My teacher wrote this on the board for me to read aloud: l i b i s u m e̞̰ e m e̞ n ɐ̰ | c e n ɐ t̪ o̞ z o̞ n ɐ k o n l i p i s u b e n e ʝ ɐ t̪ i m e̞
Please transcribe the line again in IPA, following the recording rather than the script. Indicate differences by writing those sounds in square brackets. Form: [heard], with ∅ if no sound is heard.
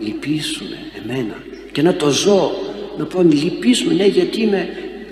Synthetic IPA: l i [p] i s u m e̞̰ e m e̞ n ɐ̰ | c e n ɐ t̪ o̞ z o̞ n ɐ [p] o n l i p i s u [m] e n e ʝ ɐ t̪ i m e̞